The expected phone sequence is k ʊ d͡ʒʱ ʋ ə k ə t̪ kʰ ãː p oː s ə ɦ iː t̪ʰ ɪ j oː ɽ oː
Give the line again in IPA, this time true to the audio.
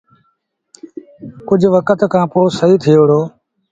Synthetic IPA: k ʊ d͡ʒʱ ʋ ə k ə t̪ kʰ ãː p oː s ə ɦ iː t̪ʰ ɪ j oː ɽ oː